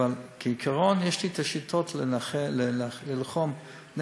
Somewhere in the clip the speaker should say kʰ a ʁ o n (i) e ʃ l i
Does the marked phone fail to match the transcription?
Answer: yes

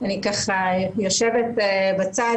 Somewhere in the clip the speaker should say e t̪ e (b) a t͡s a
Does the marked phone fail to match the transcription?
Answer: no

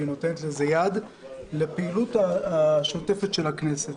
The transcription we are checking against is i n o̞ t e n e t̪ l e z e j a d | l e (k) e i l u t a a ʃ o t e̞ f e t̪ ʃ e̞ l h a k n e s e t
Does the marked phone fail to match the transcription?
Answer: yes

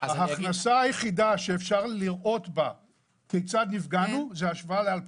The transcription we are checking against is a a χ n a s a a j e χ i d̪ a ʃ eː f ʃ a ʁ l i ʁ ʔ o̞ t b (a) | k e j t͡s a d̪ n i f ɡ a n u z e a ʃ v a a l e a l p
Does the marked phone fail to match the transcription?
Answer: no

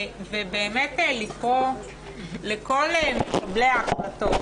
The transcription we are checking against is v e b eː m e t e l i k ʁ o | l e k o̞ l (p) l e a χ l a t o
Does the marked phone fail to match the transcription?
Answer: yes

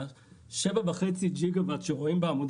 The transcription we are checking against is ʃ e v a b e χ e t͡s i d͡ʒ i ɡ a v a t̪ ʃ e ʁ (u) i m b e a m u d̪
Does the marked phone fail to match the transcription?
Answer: yes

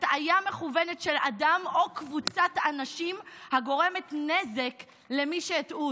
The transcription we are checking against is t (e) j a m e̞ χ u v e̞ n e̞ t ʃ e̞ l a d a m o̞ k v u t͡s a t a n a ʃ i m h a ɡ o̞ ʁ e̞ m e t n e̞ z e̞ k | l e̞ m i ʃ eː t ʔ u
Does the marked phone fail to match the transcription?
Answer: yes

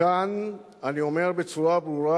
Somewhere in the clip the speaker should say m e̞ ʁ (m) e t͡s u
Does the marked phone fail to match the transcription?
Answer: yes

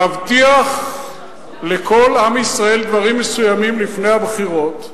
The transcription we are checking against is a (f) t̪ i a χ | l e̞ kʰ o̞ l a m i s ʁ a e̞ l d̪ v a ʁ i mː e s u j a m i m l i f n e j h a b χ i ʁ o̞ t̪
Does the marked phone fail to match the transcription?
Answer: yes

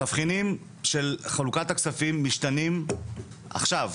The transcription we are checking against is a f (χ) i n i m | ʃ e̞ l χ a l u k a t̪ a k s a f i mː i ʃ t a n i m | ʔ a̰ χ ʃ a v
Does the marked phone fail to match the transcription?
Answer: no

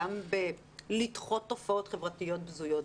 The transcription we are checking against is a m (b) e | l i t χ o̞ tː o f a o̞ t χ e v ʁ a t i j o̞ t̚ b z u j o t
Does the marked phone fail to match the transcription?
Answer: no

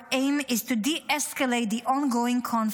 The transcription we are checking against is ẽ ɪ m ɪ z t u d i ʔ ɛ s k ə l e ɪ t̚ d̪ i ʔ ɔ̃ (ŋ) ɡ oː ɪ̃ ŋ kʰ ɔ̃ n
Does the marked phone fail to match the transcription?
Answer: yes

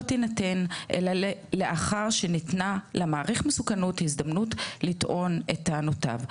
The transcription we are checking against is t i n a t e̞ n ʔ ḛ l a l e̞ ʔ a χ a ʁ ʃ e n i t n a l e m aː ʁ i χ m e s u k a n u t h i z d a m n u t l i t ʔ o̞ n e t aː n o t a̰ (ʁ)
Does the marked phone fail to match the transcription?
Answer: yes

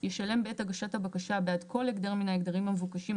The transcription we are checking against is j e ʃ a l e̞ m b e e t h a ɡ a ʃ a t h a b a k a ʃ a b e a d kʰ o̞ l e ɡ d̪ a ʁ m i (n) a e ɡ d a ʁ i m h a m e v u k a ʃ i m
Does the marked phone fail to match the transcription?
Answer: no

